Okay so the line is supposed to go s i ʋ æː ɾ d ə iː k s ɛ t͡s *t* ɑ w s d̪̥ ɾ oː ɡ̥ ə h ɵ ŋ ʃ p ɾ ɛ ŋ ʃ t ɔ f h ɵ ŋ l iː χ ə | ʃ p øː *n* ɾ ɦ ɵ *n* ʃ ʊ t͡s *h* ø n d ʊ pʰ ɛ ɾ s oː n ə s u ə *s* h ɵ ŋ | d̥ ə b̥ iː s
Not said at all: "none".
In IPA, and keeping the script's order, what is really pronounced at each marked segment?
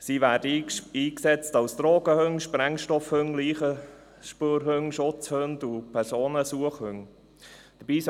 t, none, ŋ, h, χ

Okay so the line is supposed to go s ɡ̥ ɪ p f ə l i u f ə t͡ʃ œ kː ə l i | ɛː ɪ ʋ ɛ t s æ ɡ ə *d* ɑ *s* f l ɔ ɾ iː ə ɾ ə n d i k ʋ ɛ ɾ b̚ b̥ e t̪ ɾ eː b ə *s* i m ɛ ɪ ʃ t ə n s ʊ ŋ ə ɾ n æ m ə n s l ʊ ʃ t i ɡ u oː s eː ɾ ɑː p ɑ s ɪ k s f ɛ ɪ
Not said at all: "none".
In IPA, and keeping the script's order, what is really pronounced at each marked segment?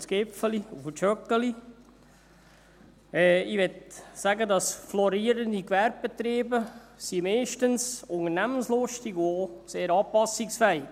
d, s, s

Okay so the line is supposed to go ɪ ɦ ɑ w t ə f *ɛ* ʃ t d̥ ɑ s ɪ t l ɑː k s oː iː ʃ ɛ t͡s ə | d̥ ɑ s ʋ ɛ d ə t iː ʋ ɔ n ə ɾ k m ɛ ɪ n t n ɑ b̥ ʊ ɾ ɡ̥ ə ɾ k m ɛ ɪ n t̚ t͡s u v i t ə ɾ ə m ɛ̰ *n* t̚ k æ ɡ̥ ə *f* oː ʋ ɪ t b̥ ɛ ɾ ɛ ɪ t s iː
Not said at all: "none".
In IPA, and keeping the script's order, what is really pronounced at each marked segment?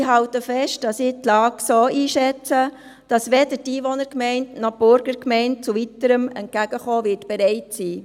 ɛ, n, χ

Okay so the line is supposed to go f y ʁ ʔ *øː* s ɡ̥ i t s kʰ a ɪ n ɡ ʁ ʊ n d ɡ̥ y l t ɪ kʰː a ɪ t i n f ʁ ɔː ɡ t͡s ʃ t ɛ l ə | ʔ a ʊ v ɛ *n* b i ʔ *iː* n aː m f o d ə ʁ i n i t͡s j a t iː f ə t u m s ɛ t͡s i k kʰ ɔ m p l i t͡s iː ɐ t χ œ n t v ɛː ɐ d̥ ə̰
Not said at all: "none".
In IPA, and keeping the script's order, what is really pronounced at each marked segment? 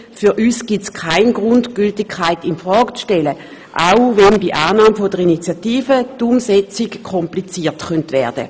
yː, n, aː

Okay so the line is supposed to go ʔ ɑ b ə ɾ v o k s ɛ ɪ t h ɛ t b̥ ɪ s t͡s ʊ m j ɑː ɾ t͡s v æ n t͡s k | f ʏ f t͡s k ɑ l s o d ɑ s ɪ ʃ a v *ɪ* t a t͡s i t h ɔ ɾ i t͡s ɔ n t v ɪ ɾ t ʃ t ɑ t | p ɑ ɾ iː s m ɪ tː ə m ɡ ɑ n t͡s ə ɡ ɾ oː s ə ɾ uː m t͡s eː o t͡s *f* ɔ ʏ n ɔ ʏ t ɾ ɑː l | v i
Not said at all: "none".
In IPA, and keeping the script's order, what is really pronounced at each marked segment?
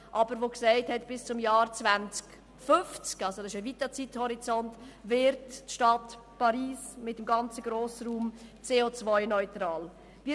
i, v

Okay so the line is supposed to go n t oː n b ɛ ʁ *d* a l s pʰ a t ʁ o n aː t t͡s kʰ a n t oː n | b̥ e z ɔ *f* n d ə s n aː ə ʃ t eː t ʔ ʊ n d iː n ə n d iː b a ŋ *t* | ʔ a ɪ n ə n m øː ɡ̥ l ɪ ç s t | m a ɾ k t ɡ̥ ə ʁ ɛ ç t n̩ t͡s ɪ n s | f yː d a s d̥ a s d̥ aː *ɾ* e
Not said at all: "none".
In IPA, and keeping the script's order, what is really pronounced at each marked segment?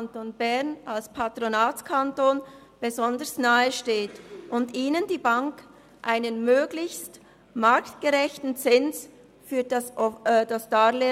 n, none, k, l

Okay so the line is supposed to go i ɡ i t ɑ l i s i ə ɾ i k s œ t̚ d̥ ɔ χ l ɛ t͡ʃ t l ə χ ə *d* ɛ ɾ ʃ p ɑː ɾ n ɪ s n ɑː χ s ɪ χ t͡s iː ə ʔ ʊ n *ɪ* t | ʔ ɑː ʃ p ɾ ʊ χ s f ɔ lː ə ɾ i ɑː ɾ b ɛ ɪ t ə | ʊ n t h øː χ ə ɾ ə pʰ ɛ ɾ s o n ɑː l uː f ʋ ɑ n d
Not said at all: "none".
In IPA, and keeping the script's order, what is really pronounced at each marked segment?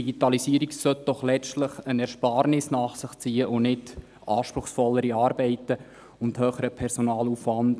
n, ɪ

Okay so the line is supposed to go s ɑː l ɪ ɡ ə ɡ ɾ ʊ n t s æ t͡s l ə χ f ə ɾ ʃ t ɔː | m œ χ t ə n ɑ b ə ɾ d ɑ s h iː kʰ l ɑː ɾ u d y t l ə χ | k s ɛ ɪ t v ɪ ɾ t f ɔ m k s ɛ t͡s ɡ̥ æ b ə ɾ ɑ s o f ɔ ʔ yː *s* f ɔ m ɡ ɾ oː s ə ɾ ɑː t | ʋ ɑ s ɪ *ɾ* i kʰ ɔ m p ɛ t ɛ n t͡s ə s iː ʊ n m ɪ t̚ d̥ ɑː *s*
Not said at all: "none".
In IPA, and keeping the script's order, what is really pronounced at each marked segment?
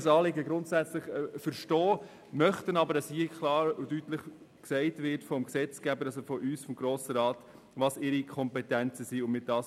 s, ɾ, s

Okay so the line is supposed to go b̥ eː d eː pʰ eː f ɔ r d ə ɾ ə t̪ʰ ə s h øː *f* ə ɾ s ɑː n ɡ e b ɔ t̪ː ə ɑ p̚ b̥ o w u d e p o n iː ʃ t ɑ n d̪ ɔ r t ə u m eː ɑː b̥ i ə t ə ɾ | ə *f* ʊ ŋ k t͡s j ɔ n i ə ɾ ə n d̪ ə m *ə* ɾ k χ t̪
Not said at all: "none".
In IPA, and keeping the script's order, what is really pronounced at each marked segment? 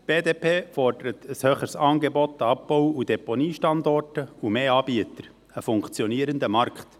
χ, f, ɑ

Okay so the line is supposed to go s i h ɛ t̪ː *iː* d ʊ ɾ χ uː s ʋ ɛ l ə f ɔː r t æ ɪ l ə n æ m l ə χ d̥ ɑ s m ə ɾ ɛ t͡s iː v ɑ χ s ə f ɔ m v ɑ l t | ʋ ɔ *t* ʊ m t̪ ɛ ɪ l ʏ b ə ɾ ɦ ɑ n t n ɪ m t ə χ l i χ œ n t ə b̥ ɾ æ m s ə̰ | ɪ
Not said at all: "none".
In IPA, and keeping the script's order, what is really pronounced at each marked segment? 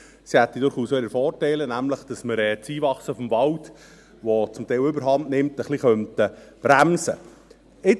i, t͡s

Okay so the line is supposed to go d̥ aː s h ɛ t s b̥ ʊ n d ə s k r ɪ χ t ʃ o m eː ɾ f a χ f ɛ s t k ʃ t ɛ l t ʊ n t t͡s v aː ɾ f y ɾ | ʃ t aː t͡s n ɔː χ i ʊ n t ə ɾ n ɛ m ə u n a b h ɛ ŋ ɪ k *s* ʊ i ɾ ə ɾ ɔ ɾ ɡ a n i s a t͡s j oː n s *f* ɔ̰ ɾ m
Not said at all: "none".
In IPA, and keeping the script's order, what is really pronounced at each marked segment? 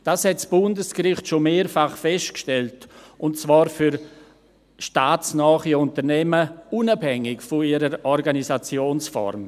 f, f

